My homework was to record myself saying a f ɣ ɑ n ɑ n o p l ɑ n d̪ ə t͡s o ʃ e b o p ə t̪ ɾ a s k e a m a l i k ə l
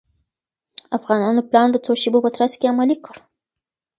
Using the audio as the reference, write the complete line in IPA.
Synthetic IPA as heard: a f ɣ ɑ n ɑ n o p l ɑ n d̪ ə t͡s o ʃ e b o p ə t̪ ɾ a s k e a m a l i k ə ɽ